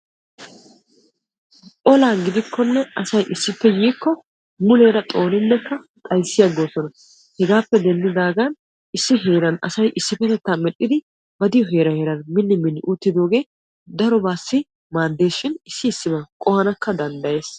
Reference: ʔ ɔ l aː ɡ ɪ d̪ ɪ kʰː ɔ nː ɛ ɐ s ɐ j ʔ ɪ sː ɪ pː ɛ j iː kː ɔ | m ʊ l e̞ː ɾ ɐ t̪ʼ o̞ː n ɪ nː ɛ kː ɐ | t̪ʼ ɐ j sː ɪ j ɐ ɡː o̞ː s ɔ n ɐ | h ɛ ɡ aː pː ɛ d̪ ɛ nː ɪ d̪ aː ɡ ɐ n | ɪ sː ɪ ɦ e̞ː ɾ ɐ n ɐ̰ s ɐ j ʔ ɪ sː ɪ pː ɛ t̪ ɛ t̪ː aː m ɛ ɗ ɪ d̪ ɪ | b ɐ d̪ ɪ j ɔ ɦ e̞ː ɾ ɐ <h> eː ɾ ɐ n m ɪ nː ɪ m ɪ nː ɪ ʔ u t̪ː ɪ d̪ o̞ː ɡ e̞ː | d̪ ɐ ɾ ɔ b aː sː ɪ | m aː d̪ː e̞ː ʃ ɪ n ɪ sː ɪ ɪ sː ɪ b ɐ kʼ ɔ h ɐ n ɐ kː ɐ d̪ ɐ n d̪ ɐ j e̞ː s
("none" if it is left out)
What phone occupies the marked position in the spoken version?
h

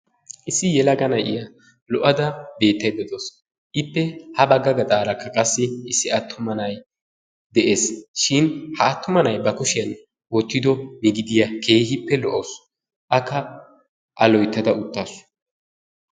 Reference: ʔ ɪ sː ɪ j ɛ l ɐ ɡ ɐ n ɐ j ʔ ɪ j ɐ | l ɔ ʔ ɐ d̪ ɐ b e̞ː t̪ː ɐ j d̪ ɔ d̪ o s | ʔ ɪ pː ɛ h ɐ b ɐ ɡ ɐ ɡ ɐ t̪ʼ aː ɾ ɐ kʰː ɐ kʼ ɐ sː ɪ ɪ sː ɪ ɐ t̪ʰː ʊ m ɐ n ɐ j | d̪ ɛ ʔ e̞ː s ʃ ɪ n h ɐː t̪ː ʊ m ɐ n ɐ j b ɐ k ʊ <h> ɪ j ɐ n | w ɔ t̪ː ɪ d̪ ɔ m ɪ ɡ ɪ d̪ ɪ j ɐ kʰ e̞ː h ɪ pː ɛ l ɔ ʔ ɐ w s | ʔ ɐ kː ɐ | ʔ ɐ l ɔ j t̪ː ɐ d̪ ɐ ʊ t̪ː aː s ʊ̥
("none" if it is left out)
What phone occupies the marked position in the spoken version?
ʃ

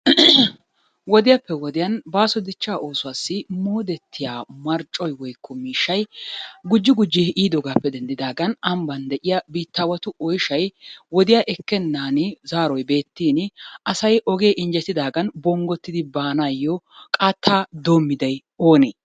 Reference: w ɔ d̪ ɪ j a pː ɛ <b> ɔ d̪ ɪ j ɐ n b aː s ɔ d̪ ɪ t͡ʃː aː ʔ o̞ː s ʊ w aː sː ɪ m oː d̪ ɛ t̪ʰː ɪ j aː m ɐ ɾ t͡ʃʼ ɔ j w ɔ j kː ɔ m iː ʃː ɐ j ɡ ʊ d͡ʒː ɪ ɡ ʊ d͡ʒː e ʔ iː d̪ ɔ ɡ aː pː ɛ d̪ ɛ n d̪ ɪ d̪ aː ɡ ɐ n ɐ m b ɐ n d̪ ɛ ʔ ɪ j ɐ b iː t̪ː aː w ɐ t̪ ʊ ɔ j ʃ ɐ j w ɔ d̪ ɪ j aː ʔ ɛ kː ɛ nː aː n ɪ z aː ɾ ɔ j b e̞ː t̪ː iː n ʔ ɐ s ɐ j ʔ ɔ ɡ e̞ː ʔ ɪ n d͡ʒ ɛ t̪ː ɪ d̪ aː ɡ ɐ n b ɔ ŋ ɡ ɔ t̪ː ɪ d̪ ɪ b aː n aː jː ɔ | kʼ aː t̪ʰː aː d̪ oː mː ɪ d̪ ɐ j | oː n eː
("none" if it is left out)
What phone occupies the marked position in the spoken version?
w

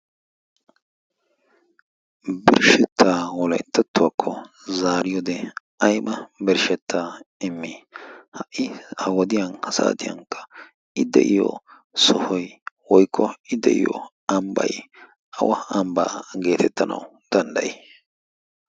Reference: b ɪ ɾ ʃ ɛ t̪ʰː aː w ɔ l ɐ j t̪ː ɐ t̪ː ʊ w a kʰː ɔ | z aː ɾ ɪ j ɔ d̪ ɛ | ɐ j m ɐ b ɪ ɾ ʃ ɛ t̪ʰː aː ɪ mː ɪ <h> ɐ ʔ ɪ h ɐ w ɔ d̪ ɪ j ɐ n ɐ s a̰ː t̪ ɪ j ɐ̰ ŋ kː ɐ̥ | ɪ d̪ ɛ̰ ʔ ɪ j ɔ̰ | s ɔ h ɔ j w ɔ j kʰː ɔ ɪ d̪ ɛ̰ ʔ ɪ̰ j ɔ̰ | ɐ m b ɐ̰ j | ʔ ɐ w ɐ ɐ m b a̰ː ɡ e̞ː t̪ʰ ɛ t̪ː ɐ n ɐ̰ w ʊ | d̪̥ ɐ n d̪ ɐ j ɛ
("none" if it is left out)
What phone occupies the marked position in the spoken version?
h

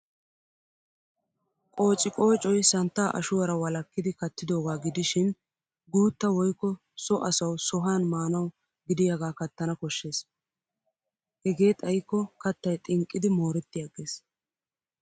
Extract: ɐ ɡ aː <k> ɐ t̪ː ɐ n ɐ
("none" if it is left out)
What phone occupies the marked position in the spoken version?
k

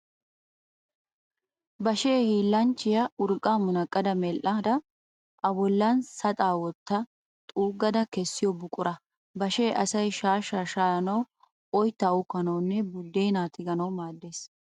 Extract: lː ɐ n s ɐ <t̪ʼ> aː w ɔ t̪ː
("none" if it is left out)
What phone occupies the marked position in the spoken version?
t̪ʼ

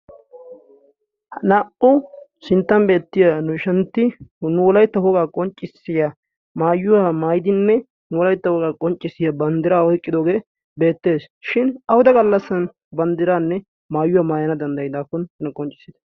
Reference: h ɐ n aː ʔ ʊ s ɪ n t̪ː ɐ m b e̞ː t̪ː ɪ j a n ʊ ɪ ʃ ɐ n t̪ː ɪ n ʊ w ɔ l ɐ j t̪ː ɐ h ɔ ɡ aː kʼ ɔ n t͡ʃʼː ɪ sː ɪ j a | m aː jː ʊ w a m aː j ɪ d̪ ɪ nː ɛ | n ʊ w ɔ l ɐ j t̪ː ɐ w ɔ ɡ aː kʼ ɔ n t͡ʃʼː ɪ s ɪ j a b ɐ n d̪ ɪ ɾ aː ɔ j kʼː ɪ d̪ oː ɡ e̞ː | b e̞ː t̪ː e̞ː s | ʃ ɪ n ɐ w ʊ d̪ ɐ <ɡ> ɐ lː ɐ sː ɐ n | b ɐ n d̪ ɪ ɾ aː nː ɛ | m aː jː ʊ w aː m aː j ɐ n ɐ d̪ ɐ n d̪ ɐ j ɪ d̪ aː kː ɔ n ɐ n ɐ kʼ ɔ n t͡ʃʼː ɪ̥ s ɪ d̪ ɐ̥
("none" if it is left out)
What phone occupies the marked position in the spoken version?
ɡ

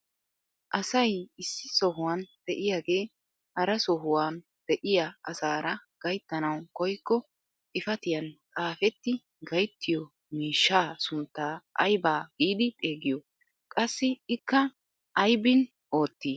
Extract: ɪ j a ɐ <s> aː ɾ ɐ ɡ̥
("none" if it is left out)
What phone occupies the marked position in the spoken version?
s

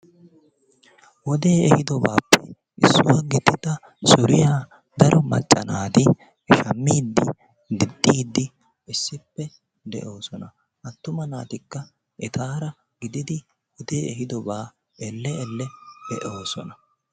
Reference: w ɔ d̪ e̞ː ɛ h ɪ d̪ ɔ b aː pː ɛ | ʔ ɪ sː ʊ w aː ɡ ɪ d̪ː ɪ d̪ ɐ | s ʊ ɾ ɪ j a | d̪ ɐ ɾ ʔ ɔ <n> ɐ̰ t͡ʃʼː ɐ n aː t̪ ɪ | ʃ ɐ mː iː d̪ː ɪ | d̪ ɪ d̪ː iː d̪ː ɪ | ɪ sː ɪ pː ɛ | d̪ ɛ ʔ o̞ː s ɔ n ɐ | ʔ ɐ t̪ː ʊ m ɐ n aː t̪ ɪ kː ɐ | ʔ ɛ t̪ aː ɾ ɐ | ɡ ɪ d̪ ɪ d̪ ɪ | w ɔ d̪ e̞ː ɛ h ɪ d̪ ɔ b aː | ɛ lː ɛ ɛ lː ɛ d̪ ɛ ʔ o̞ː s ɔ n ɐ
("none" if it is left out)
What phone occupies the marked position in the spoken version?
m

